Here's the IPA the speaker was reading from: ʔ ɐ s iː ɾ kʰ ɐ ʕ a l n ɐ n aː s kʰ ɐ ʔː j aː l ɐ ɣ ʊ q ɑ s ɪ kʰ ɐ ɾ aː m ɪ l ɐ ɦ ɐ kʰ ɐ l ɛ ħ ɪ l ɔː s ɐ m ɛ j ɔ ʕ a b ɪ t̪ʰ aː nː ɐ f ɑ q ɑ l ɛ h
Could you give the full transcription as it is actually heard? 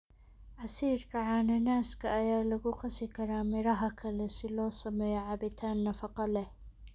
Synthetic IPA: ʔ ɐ s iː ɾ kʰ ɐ ʕ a n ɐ n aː s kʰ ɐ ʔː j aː l ɐ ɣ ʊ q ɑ s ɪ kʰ ɐ ɾ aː m ɪ ɾ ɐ ɦ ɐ kʰ ɐ l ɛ s ɪ l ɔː s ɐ m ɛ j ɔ ʕ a b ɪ t̪ʰ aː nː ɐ f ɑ q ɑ l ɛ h

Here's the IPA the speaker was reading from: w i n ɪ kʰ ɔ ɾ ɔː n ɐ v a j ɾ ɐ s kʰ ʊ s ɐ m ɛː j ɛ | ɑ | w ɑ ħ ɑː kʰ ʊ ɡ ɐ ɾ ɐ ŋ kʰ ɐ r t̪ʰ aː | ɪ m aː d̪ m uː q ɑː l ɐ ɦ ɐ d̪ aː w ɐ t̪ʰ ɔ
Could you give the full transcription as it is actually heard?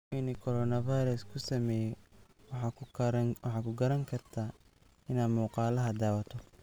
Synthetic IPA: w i n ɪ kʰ ɔ ɾ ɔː n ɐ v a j ɾ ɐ s kʰ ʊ s ɐ m ɛː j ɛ | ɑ | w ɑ ħ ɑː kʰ ʊ ɡ ɐ ɾ ɐ ŋ kʰ ɐ r t̪ʰ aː | ɪ n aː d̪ m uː q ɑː l ɐ ɦ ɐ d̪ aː w ɐ t̪ʰ ɔ

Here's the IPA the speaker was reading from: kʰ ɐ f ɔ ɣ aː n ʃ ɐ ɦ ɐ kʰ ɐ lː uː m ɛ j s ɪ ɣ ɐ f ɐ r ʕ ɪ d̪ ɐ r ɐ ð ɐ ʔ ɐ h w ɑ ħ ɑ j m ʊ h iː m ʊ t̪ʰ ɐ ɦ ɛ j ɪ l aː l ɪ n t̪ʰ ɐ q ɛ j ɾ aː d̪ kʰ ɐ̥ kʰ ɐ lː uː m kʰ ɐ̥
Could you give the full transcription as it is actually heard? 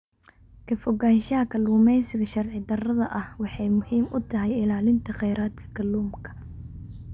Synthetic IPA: kʰ ɐ f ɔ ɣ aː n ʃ ɐ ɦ ɐ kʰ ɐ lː uː m ɛ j s ɪ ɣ ɐ ʃ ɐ r ʕ ɪ d̪ ɐ r ɐ ð ɐ ʔ ɐ h w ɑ ħ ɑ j m ʊ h iː m ʊ t̪ʰ ɐ ɦ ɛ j ɪ l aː l ɪ n t̪ʰ ɐ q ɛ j ɾ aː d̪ kʰ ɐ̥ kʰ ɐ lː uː m kʰ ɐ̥

